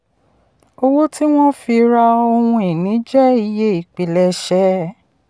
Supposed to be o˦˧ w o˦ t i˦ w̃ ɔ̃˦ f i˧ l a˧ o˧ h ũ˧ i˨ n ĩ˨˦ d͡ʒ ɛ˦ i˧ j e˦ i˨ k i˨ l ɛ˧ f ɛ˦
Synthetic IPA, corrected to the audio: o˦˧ w o˦ t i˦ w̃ ɔ̃˦ f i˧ ɾ a˧ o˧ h ũ˧ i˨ n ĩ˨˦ d͡ʒ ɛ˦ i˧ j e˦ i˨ k͡p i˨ l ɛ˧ ʃ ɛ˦